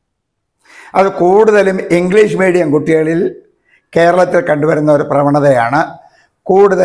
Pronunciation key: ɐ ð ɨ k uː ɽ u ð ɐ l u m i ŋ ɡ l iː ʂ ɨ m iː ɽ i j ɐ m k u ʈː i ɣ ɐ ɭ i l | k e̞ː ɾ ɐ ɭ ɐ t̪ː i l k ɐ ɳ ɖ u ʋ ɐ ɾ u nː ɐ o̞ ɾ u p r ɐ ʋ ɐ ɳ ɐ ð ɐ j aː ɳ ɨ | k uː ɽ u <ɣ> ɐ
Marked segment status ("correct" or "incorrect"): incorrect